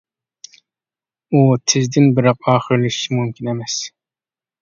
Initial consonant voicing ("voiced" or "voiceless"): voiceless